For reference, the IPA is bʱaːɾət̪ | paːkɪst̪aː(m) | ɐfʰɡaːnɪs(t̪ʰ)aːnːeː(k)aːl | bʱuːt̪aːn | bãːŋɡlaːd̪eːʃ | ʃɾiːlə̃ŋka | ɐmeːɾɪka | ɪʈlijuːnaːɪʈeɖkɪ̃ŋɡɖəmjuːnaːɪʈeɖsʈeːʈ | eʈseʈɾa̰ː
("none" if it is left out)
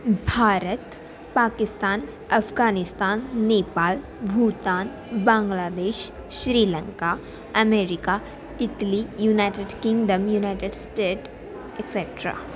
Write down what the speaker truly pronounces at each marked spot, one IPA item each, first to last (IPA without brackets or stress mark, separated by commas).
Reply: n, t̪, p